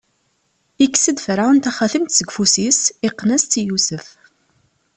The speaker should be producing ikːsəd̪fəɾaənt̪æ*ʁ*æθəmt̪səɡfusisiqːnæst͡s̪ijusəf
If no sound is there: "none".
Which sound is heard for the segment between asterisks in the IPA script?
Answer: χ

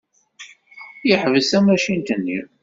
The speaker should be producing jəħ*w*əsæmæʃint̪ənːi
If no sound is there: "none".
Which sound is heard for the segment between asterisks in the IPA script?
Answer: v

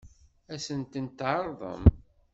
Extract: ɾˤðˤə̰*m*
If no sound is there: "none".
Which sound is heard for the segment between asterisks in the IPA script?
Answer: m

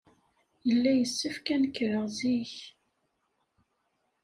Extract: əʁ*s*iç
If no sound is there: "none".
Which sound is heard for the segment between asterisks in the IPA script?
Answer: z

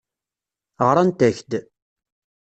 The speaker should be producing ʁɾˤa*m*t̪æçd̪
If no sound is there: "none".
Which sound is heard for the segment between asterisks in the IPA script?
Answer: n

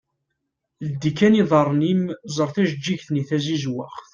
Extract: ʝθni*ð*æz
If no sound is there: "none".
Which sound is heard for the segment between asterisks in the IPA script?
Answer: θ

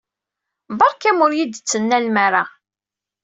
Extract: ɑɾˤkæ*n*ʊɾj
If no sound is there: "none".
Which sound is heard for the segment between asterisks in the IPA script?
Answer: m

